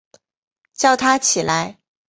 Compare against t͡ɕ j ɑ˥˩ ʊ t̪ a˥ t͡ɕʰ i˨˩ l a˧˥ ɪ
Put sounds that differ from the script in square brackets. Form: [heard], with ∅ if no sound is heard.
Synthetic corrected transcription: t͡ɕ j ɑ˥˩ ʊ [t̪ʰ] a˥ t͡ɕʰ i˨˩ l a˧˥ ɪ